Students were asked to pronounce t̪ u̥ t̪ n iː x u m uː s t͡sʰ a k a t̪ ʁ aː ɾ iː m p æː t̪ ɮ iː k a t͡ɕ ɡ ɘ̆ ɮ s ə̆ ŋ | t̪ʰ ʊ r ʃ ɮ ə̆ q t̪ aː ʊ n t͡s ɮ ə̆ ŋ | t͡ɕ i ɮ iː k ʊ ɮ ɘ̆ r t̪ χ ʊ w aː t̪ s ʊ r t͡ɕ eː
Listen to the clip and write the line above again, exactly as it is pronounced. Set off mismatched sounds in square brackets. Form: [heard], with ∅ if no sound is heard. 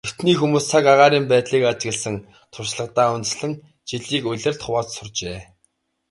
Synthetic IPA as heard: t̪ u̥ t̪ n iː x u m uː s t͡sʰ a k a [∅] ʁ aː ɾ iː m p æː t̪ ɮ iː k a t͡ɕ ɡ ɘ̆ ɮ s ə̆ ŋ | t̪ʰ ʊ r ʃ ɮ ə̆ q t̪ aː ʊ n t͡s ɮ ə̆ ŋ | t͡ɕ i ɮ iː k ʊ ɮ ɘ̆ r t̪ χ ʊ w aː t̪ s ʊ r t͡ɕ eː